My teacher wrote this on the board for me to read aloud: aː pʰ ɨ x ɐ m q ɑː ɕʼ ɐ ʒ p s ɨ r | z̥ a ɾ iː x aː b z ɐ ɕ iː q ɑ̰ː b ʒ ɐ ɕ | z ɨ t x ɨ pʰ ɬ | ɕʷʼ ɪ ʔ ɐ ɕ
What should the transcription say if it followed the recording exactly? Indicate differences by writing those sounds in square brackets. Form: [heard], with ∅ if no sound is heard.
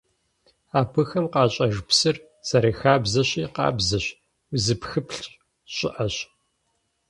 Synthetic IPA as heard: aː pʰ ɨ x ɐ m q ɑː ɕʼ ɐ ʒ p s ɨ r | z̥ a ɾ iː x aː b z ɐ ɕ iː q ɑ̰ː b [z] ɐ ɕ | z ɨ [p] x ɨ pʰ ɬ | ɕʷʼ ɪ ʔ ɐ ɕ